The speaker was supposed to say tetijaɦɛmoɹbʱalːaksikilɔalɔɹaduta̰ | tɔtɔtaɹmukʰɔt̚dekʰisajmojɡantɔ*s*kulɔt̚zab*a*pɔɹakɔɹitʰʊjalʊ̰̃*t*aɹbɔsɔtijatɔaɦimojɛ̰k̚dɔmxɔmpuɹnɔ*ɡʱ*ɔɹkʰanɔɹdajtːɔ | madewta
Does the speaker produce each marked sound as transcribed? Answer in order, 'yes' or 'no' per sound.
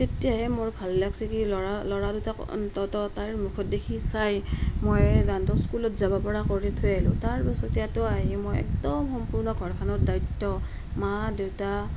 yes, yes, yes, yes

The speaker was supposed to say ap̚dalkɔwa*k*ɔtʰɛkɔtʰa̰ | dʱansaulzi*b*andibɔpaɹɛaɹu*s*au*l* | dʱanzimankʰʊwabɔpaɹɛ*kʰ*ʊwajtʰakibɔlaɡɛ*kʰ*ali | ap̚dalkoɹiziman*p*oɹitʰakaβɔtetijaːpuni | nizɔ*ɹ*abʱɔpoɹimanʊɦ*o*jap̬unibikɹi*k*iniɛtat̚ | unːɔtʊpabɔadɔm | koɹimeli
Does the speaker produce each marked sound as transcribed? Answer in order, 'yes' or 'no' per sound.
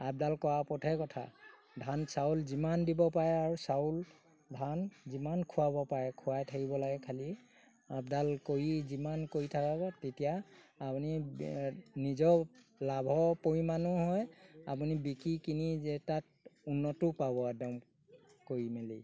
no, no, yes, yes, yes, yes, no, no, no, yes

